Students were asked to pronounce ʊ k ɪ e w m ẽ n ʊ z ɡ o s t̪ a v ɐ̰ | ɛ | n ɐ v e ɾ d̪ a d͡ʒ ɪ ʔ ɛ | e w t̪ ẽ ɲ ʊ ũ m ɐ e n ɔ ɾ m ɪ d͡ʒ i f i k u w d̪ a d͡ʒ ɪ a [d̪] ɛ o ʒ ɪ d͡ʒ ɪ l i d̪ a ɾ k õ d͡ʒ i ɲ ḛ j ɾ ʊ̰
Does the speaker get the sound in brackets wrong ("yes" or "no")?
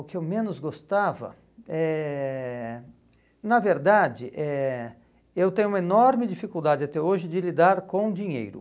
yes